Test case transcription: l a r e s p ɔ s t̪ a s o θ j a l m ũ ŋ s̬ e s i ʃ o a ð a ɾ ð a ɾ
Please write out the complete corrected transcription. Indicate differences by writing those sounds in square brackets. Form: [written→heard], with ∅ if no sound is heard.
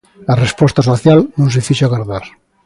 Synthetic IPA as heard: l a r e s p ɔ s t̪ a s o θ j a l [m→n] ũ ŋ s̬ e [s→f] i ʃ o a [ð→ɣ] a ɾ ð a ɾ